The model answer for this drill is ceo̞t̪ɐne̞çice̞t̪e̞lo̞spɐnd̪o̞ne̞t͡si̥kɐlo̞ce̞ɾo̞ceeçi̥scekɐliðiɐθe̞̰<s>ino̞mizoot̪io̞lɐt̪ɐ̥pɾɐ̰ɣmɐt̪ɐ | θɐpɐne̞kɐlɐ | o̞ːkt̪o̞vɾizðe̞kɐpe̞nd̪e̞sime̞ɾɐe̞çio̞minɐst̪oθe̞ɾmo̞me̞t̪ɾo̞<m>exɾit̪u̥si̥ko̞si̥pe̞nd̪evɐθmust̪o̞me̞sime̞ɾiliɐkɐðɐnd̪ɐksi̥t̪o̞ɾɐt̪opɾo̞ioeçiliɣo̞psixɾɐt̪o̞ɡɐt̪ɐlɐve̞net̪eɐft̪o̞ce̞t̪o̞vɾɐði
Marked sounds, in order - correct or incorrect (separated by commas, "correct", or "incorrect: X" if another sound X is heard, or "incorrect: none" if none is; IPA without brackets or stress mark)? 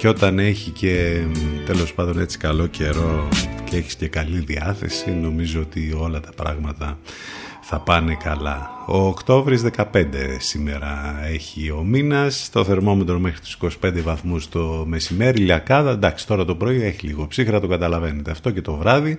correct, correct